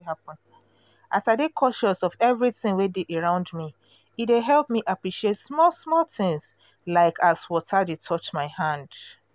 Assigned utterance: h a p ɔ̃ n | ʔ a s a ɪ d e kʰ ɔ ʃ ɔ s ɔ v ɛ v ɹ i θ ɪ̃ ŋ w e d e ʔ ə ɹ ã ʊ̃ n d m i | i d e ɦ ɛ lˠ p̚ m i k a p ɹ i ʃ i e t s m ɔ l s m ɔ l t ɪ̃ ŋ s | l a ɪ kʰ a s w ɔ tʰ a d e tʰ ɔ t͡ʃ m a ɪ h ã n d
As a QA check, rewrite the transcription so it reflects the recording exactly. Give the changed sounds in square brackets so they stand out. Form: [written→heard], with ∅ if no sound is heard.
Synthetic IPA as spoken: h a p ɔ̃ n | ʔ a s a ɪ d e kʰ ɔ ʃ ɔ s ɔ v ɛ v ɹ i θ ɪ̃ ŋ w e d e ʔ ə ɹ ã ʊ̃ n d m i | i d e ɦ ɛ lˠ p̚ m i [k→ʔ] a p ɹ i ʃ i e t s m ɔ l s m ɔ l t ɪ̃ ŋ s | l a ɪ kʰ a s w ɔ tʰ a d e tʰ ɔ t͡ʃ m a ɪ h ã n d

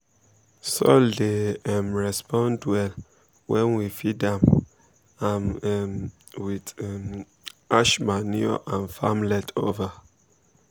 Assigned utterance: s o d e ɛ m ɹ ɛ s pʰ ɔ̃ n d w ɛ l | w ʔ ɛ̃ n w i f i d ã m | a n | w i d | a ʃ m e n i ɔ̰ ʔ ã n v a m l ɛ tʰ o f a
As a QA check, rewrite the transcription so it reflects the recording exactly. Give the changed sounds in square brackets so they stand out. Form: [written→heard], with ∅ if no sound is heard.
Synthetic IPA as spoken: s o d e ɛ m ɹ ɛ s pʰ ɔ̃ n d w ɛ l | w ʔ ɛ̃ n w i f i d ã m | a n | w i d | a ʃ m [e→a] n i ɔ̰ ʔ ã n [v→f] a m l ɛ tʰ o [f→v] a

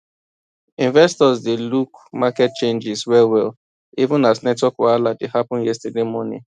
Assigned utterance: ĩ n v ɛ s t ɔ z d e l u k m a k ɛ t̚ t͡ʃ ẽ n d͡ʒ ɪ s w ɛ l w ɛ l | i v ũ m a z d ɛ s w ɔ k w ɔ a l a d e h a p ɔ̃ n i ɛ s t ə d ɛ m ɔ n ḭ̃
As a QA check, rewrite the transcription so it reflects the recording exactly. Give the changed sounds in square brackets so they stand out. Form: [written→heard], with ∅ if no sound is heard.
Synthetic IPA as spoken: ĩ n v ɛ s t ɔ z d e l u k m a k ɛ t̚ t͡ʃ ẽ n d͡ʒ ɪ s w ɛ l w ɛ l | i v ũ [m→n] a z [d→n] ɛ [s→t] w ɔ k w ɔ a l a d e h a p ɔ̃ n [i→j] ɛ s t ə d [ɛ→e] m ɔ n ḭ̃

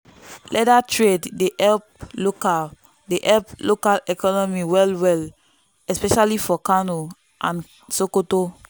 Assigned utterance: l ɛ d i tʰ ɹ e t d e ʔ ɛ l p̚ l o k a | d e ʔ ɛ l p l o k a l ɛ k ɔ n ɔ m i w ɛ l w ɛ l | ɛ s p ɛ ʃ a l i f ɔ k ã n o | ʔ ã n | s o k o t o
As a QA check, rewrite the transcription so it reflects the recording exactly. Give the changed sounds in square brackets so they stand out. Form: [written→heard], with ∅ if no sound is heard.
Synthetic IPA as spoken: l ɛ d [i→a] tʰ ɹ e [t→d] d e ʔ ɛ l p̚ l o k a | d e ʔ ɛ l p l o k a l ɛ k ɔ n ɔ m i w ɛ l w ɛ l | ɛ s p ɛ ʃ a l i f ɔ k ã n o | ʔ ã n | s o k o t o

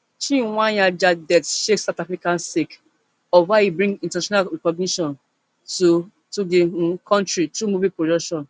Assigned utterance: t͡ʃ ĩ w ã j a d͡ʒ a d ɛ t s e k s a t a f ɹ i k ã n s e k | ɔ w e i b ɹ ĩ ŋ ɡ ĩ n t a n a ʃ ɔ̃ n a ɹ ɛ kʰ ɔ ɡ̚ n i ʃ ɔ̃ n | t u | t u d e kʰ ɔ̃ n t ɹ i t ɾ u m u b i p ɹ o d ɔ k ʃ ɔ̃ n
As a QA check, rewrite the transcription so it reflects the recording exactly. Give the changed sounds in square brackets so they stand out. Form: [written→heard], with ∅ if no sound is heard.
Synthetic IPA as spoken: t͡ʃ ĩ w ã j a d͡ʒ a d ɛ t [s→ʃ] e k s a t a f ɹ i k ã n s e k | ɔ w [e→a] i b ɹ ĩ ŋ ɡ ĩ n t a n a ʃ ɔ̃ n a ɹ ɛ [kʰ→k] ɔ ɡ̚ n i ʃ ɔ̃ n | t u | t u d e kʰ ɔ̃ n t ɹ i t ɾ u m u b i p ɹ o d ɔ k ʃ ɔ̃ n

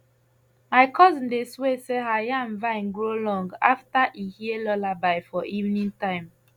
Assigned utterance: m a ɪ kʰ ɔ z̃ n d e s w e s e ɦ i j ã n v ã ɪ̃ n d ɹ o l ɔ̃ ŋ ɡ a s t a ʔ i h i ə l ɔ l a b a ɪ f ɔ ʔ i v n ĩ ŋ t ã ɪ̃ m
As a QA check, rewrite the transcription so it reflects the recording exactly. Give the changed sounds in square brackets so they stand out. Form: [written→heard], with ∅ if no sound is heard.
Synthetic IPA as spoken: m a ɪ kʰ ɔ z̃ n d e s w e s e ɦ [i→a] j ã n v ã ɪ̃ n [d→ɡ] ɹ o l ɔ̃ ŋ ɡ a [s→f] t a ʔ i h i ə l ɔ l a b a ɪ f ɔ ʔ i v n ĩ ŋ t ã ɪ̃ m

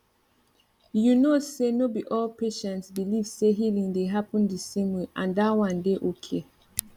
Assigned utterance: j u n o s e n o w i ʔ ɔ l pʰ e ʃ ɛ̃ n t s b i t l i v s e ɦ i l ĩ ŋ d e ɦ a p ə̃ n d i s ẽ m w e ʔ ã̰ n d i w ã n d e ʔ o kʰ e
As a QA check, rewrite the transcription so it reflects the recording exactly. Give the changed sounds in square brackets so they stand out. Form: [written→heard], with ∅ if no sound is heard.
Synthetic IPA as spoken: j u n o s e n o [w→b] i ʔ ɔ l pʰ e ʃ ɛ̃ n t s b i [t→∅] l i v s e ɦ i l ĩ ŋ d e ɦ a p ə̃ n d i s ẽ m w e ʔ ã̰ n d [i→a] w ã n d e ʔ o kʰ e

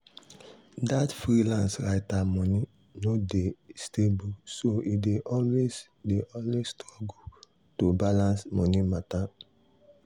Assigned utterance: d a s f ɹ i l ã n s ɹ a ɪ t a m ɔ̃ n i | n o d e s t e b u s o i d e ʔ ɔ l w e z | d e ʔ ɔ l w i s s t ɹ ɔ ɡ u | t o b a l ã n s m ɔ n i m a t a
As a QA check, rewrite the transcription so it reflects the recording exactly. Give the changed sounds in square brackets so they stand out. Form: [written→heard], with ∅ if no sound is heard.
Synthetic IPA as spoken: d a [s→t] f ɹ i l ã n s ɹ a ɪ t a m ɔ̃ n i | n o d e s t e b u s o i d e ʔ ɔ l w e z | d e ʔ ɔ l w [i→e] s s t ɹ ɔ ɡ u | t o b a l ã n s m ɔ n i m a t a

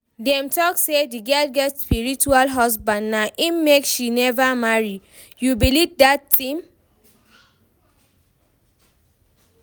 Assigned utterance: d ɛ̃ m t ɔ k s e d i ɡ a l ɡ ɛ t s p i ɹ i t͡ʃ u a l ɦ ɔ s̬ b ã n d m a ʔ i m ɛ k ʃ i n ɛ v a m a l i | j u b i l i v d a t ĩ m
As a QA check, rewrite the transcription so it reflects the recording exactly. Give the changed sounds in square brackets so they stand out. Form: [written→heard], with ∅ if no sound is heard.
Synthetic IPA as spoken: d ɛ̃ m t ɔ k s e d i ɡ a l ɡ ɛ t s p i ɹ i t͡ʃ u a l ɦ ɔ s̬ b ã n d [m→n] a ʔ i m [ɛ→e] k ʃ i n ɛ v a m a [l→ɹ] i | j u b i l i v d a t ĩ m

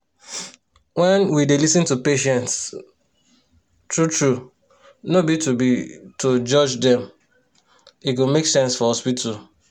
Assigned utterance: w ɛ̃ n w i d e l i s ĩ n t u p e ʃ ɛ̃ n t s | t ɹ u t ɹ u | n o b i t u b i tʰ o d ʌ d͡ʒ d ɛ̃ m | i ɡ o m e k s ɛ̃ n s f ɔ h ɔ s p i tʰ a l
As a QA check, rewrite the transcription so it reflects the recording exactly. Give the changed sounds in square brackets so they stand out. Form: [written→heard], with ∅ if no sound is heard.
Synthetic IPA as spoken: w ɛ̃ n w i d e l i s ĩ n t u p e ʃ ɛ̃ n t s | t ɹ u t ɹ u | n o b i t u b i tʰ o [d→d͡ʒ] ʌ d͡ʒ d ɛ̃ m | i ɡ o m e k s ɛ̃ n s f ɔ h ɔ s p i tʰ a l

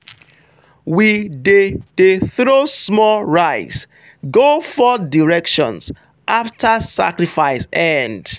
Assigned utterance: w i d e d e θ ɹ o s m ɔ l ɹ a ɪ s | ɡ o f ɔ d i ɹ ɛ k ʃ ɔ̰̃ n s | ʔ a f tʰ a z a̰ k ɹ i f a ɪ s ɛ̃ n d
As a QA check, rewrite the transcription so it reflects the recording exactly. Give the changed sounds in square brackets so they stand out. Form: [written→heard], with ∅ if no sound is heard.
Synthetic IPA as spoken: w i d e d e θ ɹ o s m ɔ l ɹ a ɪ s | ɡ o f ɔ d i ɹ ɛ k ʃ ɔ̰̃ n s | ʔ a f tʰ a [z→s] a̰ k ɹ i f a ɪ s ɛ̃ n d

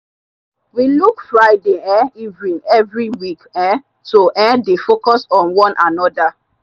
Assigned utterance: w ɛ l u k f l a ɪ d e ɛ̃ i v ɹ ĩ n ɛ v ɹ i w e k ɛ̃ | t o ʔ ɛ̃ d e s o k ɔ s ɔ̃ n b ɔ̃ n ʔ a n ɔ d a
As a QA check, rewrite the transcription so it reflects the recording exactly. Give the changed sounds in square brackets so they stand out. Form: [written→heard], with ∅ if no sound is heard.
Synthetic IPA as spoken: w [ɛ→i] l u k f [l→ɹ] a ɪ d e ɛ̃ i v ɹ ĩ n ɛ v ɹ i w [e→i] k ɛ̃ | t o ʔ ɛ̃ d e [s→f] o k ɔ s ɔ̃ n [b→w] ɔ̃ n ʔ a n ɔ d a

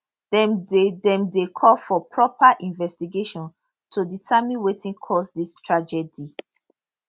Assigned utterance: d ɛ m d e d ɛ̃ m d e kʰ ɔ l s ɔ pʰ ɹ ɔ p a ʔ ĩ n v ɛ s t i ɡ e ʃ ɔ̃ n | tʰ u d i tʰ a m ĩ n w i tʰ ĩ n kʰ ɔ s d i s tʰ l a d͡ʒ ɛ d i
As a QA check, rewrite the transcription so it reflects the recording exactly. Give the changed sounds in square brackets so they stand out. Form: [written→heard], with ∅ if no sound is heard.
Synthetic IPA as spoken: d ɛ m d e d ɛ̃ m d e kʰ ɔ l [s→f] ɔ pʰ ɹ ɔ p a ʔ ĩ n v ɛ s t i ɡ e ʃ ɔ̃ n | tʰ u d i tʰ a m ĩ n w [i→e] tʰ ĩ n kʰ ɔ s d i s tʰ [l→ɹ] a d͡ʒ ɛ d i

